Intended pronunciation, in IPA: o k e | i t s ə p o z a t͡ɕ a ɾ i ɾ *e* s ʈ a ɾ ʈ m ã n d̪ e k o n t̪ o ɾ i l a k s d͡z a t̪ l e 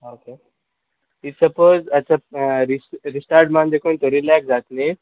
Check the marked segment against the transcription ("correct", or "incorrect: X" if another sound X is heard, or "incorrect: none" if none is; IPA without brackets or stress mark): incorrect: i